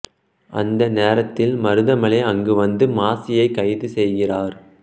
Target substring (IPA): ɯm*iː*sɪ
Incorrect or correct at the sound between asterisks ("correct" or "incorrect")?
incorrect